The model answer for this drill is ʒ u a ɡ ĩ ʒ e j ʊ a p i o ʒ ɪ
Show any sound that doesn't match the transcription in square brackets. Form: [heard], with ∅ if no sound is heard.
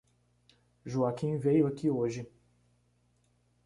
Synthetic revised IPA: ʒ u a [k] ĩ [v] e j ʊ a [k] i o ʒ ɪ

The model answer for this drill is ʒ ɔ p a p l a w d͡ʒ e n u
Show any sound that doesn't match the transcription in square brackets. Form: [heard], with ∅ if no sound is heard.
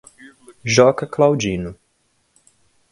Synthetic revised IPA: ʒ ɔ [k] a [k] l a w d͡ʒ [i] n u

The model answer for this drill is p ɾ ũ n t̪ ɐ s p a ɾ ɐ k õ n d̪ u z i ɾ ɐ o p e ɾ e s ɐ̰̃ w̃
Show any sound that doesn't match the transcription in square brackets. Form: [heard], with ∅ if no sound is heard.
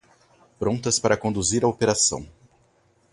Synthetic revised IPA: p ɾ [õ] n t̪ ɐ s p a ɾ ɐ k õ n d̪ u z i ɾ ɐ o p e ɾ [a] s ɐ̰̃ w̃

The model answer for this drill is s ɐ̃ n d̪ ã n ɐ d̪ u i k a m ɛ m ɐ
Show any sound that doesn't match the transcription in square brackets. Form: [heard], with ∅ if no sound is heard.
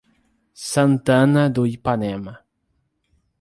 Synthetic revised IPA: s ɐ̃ n [t̪] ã n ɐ d̪ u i [p] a [n] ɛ m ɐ

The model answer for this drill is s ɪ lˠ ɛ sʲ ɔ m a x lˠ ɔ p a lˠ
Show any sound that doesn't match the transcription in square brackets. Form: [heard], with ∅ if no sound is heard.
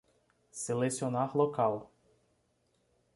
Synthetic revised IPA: s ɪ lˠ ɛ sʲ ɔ [n] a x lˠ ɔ [k] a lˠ

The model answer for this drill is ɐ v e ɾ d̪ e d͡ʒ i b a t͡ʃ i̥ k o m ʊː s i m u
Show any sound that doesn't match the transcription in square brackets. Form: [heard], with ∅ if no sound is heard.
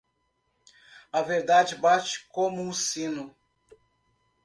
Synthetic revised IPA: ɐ v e ɾ d̪ [a] d͡ʒ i b a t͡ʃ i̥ k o m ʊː s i [n] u

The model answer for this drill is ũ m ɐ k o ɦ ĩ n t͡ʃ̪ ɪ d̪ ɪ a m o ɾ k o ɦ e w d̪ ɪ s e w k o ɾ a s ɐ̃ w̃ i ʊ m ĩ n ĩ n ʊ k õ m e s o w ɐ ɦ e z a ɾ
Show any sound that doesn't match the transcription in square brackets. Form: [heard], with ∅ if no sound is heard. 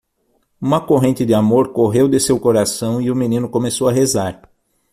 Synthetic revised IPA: ũ m ɐ k o ɦ [ẽ] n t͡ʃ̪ ɪ d̪ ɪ a m o ɾ k o ɦ e w d̪ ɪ s e w k o ɾ a s ɐ̃ w̃ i ʊ m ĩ n ĩ n ʊ k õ m e s o w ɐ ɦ e z a ɾ

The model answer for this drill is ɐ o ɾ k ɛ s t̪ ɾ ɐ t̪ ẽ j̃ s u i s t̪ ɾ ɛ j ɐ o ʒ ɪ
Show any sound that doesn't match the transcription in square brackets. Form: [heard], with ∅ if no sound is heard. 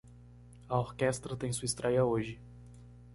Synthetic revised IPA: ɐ o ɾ k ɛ s t̪ ɾ ɐ t̪ ẽ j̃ s u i s t̪ ɾ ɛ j ɐ o ʒ ɪ

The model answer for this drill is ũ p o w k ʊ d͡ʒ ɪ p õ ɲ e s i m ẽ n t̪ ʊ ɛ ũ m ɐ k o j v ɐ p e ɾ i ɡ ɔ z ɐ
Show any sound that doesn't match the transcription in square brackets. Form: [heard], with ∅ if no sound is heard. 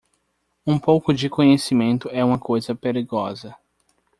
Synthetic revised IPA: ũ p o w k ʊ d͡ʒ ɪ [k] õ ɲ e s i m ẽ n t̪ ʊ ɛ ũ m ɐ k o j [z] ɐ p e ɾ i ɡ ɔ z ɐ

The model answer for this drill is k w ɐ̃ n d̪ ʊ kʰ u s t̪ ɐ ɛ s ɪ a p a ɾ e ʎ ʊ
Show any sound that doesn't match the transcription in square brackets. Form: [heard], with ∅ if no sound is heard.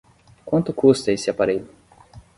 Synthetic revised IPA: k w ɐ̃ n [t̪] ʊ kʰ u s t̪ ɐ [e] s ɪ a p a ɾ e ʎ ʊ

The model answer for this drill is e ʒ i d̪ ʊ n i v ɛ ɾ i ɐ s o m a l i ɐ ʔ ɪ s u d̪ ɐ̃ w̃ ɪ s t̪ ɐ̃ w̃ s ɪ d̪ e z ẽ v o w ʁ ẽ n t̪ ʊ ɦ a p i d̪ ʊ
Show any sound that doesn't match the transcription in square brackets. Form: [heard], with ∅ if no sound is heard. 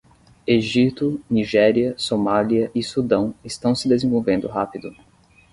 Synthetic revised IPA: e ʒ i [t̪] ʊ n i [ʒ] ɛ ɾ i ɐ s o m a l i ɐ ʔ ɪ s u d̪ ɐ̃ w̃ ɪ s t̪ ɐ̃ w̃ s ɪ d̪ e z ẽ v o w [v] ẽ n [d̪] ʊ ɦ a p i d̪ ʊ

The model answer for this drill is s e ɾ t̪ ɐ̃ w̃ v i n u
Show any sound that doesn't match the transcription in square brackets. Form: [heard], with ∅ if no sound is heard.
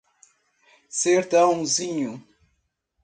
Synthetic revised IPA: s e ɾ t̪ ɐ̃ w̃ [z] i [ɲ] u

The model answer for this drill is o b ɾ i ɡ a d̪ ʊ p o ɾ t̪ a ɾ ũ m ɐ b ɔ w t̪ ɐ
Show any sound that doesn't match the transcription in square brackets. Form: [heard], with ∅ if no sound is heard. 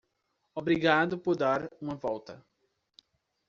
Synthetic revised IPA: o b ɾ i ɡ a d̪ ʊ p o ɾ [d̪] a ɾ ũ m ɐ [v] ɔ w t̪ ɐ

